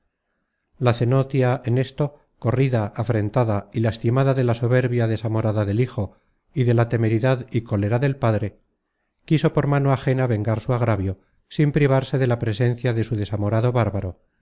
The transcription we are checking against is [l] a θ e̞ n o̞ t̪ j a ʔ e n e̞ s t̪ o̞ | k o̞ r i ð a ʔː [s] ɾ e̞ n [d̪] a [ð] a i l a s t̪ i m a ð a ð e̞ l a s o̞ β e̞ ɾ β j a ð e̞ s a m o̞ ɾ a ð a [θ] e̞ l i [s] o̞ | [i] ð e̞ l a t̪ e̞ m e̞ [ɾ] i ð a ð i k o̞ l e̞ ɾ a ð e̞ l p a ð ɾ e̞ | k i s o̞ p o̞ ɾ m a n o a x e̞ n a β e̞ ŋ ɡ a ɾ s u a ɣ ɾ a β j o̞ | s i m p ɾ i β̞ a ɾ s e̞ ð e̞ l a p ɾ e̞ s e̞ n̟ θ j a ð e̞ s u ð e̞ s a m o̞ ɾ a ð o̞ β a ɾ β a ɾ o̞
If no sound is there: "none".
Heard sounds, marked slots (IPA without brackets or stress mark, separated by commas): l, f, t̪, ð, ð, x, i, ɾ